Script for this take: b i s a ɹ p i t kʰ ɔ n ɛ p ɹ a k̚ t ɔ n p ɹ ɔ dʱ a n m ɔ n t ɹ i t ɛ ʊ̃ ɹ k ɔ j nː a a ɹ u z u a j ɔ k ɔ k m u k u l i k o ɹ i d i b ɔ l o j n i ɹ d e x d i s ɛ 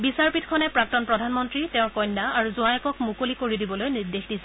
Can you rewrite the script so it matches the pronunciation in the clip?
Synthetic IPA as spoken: b i s a ɹ p i t kʰ ɔ n ɛ p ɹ a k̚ t ɔ n p ɹ ɔ dʱ a n m ɔ n t ɹ i t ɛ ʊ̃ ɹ k ɔ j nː a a ɹ u z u a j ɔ k ɔ k m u k o l i k o ɹ i d i b ɔ l o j n i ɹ d e x d i s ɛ